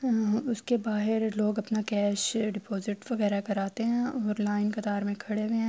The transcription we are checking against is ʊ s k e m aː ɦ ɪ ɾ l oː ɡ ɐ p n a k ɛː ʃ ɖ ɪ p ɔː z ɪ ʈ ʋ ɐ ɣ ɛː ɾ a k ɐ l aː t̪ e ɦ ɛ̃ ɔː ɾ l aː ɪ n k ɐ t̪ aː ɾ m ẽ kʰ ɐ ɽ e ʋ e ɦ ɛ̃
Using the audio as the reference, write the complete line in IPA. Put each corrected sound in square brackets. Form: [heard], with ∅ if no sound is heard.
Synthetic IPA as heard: ʊ s k e [b] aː ɦ ɪ ɾ l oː ɡ ɐ p n a k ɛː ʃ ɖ ɪ p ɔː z ɪ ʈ ʋ ɐ ɣ ɛː ɾ a k ɐ [ɾ] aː t̪ e ɦ ɛ̃ ɔː ɾ l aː ɪ n k ɐ t̪ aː ɾ m ẽ kʰ ɐ ɽ e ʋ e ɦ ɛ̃